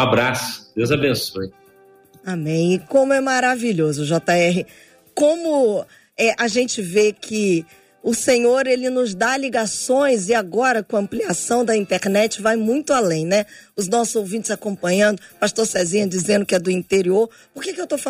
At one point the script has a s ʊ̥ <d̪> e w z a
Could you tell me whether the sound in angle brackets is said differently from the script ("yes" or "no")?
no